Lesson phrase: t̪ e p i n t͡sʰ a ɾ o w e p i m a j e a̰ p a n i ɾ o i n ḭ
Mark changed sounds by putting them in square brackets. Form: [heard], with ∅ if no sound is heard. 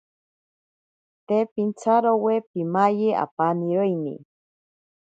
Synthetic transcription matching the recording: t̪ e p i n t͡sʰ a ɾ o w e p i m a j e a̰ p a n i ɾ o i n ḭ